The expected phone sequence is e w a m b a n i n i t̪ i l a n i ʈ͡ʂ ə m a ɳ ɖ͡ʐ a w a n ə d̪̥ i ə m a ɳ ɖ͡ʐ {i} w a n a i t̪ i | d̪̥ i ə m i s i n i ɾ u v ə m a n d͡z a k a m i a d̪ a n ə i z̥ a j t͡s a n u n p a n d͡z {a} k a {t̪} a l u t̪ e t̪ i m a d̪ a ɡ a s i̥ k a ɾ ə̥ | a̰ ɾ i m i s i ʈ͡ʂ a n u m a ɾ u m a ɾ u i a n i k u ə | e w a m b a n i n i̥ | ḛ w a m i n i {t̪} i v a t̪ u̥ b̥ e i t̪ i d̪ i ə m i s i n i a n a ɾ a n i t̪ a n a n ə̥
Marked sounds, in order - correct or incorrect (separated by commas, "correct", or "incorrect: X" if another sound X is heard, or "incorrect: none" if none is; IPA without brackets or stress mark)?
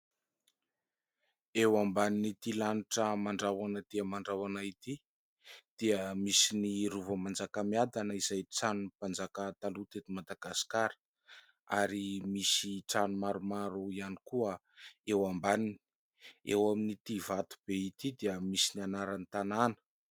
incorrect: a, correct, correct, correct